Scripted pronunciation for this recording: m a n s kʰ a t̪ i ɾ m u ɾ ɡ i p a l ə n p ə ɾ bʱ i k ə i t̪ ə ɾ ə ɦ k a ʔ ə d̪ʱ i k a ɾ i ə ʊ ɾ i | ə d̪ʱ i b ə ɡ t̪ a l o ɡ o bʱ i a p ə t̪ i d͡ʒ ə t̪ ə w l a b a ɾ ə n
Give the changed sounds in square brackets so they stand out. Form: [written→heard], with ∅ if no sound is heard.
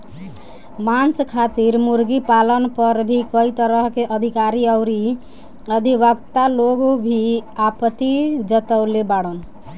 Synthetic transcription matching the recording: m a n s kʰ a t̪ i ɾ m u ɾ ɡ i p a l ə n p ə ɾ bʱ i k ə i t̪ ə ɾ ə ɦ k [a→e] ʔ ə d̪ʱ i k a ɾ i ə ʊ ɾ i | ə d̪ʱ i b ə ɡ t̪ a l o ɡ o bʱ i a p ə t̪ i d͡ʒ ə t̪ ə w l [a→e] b a [ɾ→ɽ] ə n